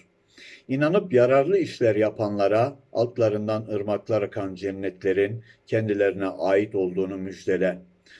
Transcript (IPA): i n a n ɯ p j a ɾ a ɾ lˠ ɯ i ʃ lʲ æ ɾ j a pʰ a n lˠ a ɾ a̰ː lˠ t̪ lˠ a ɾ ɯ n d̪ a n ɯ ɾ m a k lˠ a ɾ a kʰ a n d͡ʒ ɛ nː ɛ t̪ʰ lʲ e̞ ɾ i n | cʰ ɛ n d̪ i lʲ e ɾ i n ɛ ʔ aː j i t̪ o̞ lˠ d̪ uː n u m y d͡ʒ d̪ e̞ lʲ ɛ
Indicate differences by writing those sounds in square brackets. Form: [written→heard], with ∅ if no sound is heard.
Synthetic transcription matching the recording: i n a n ɯ p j a ɾ a ɾ lˠ ɯ i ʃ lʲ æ ɾ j a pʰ a n lˠ a ɾ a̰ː lˠ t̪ lˠ a ɾ ɯ n d̪ a n ɯ ɾ m a k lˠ a ɾ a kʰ a n d͡ʒ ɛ nː ɛ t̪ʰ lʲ e̞ ɾ i n | cʰ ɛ n d̪ i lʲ e ɾ i n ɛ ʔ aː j i t̪ o̞ lˠ d̪ uː n u m y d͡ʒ d̪ e̞ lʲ ɛ